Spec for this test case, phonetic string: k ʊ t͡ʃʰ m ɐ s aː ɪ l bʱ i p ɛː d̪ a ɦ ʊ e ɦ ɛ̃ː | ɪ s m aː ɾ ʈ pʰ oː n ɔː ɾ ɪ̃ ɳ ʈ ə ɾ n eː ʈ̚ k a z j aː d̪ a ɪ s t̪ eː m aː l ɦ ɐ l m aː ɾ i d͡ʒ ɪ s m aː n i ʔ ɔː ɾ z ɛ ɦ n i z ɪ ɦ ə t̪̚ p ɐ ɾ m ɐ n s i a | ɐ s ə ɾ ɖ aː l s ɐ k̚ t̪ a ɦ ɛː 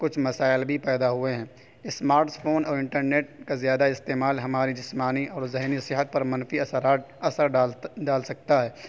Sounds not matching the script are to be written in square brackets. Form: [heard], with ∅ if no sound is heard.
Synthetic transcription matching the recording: k ʊ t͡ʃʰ m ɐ s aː ɪ l bʱ i p ɛː d̪ a ɦ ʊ e ɦ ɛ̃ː | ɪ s m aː ɾ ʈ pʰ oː n ɔː ɾ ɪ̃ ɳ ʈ ə ɾ n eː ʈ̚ k a z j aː d̪ a ɪ s t̪ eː m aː l ɦ ɐ [∅] m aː ɾ i d͡ʒ ɪ s m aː n i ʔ ɔː ɾ z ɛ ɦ n i [s] ɪ ɦ ə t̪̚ p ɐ ɾ m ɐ n [f] i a | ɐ s ə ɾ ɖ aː l s ɐ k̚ t̪ a ɦ ɛː